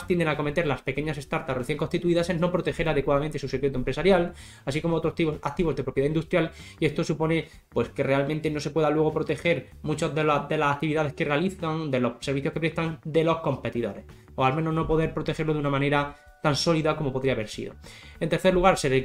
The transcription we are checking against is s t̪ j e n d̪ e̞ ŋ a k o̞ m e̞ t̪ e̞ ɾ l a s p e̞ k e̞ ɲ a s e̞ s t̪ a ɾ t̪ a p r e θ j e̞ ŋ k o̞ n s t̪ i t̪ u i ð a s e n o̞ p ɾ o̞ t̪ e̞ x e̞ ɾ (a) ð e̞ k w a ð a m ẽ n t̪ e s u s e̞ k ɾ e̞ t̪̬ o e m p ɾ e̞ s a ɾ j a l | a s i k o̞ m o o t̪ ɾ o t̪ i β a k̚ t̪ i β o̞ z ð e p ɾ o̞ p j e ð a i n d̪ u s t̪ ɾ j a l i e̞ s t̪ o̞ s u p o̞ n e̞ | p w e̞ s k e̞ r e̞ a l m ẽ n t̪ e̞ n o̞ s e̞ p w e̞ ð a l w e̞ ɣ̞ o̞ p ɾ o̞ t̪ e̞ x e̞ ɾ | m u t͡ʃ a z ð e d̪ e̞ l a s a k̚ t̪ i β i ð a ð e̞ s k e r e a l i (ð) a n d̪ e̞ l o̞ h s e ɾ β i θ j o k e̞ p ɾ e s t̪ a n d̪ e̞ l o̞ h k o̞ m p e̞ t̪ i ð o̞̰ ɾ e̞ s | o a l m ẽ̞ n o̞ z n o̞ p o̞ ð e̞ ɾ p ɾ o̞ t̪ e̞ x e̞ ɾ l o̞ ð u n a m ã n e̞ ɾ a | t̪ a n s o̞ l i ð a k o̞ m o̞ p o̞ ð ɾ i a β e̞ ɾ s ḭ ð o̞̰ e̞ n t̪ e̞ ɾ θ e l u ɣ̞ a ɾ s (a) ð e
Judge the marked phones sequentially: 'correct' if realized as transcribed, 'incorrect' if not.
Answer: correct, incorrect: θ, incorrect: e

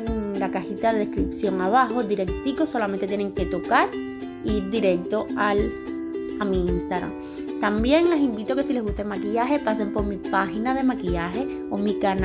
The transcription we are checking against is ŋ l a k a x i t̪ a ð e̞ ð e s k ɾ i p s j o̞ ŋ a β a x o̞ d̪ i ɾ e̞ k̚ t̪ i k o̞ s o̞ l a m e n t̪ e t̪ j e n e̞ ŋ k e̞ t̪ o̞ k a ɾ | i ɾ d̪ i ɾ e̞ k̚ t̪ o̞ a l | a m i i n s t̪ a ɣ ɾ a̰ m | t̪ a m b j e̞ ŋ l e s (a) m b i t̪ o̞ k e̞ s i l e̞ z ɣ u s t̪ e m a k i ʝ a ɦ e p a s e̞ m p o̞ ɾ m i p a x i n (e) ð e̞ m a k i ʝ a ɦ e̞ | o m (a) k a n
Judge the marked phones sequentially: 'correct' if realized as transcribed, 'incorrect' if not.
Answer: incorrect: i, incorrect: a, incorrect: i

